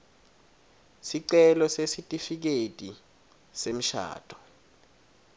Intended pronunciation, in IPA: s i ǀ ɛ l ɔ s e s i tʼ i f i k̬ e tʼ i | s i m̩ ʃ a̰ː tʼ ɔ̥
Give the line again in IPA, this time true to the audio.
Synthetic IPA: s i ǀ ɛ l ɔ s e s i tʼ i f i k̬ e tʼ i | s e m̩ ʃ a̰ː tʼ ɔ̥